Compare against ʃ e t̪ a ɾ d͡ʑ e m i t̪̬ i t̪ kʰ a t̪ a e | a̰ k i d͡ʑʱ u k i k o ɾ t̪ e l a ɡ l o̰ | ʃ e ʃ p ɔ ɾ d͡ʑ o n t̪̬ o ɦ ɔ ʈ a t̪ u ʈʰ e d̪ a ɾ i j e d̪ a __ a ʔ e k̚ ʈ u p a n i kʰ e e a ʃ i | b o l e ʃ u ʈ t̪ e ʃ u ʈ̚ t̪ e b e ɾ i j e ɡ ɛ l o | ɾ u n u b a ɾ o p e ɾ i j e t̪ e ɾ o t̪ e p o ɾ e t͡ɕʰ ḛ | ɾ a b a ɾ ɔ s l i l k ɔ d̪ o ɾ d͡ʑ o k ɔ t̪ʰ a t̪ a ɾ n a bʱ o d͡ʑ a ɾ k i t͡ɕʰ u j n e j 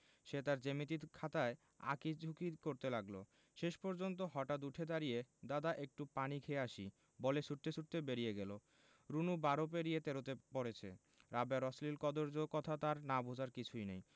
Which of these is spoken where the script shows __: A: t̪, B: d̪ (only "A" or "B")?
B